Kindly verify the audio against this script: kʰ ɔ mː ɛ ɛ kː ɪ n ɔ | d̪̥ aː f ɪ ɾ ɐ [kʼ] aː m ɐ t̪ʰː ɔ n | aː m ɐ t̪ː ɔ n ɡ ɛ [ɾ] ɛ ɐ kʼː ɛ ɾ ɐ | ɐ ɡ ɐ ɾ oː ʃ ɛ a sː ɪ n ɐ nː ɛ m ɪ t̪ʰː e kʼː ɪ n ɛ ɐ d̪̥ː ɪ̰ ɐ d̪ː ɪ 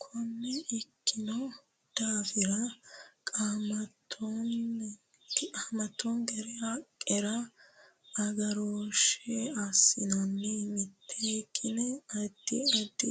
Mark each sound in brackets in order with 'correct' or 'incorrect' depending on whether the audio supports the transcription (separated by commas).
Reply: correct, correct